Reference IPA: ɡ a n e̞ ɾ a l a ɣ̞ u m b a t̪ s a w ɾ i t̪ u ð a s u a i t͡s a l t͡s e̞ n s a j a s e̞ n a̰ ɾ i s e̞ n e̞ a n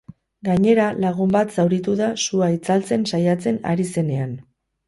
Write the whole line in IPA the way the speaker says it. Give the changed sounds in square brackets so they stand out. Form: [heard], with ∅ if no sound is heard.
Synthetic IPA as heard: ɡ a [ɲ] e̞ ɾ a l a ɣ̞ u m b a t̪ s a w ɾ i t̪ u ð a s u a i t͡s a l t͡s e̞ n s a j a [t͡s] e̞ n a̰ ɾ i s e̞ n e̞ a n